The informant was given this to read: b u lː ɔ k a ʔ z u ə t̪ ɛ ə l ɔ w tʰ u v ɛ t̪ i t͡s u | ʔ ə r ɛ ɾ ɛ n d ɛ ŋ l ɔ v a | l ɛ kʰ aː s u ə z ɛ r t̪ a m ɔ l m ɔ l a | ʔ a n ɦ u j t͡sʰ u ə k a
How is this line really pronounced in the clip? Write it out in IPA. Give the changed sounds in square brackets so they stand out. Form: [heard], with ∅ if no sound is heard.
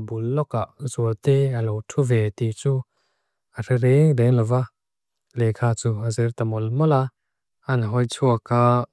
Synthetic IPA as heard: b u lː ɔ k a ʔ z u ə t̪ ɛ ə l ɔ w tʰ u v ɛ t̪ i t͡s u | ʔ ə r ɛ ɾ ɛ [ŋ] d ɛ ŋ l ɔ v a | l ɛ kʰ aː [t͡s] u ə z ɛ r t̪ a m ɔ l m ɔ l a | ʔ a n ɦ [ɔ] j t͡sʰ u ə k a